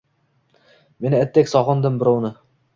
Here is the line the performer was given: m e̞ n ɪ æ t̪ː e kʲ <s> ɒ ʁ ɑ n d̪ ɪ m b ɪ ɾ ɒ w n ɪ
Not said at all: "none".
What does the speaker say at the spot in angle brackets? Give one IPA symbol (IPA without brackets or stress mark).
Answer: s